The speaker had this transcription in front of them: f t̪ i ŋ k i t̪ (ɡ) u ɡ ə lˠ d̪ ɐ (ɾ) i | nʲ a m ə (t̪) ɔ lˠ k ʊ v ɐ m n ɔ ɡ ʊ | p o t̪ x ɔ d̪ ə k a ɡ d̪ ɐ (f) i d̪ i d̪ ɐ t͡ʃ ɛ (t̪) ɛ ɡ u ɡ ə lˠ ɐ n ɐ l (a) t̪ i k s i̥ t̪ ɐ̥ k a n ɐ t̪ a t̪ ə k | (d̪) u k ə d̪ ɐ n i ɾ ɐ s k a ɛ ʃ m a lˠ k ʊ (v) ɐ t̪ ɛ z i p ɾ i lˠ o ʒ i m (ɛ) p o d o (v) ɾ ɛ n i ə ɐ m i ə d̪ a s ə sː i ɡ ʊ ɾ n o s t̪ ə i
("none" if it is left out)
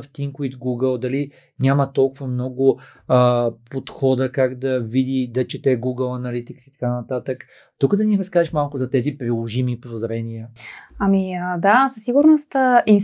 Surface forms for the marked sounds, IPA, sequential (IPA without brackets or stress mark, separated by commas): ɡ, l, t̪, v, t̪, i, t̪, z, i, z